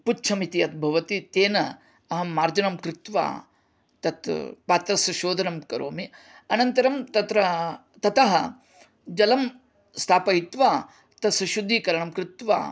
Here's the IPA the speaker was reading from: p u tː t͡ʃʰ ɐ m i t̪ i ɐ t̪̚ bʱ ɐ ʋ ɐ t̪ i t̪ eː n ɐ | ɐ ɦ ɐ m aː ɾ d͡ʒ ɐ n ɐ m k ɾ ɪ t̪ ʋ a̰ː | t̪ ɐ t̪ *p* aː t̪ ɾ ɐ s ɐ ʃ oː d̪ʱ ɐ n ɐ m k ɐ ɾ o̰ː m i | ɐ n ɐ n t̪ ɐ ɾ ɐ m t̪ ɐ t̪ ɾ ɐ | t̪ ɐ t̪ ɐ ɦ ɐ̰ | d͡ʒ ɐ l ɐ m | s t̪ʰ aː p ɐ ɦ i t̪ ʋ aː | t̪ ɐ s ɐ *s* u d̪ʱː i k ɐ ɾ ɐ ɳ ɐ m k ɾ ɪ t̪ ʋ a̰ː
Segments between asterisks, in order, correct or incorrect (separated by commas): correct, incorrect